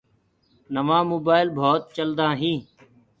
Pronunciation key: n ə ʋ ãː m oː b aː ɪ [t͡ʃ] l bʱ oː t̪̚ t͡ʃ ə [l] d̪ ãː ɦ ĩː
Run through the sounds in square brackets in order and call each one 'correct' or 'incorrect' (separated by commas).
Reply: incorrect, correct